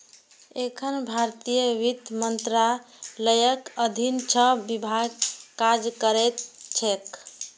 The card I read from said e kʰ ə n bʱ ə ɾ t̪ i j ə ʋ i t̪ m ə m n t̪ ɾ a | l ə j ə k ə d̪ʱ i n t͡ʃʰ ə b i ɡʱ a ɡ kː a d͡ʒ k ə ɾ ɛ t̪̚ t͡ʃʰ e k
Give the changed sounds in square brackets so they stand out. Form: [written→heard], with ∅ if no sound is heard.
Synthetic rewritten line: e kʰ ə n bʱ [ə→a] ɾ t̪ i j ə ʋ i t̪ m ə [m→∅] n t̪ ɾ a | l ə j ə k ə d̪ʱ i n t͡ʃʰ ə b i [ɡʱ→bʱ] a ɡ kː a d͡ʒ k ə ɾ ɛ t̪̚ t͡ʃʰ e k